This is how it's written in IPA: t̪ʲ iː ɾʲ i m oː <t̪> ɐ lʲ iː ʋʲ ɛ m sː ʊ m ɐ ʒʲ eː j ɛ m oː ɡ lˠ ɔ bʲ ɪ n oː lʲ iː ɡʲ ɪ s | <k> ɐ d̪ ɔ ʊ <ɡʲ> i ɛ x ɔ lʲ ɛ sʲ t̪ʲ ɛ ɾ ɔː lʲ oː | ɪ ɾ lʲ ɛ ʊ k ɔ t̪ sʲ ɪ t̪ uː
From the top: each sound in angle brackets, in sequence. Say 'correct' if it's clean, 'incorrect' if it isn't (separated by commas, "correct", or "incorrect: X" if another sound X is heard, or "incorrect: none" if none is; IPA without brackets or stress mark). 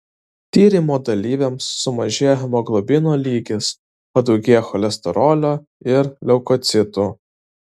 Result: incorrect: d̪, incorrect: p, correct